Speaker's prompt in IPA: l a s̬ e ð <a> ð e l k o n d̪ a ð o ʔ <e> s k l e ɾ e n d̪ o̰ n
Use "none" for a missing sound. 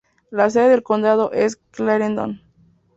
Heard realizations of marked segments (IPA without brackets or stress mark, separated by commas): e, e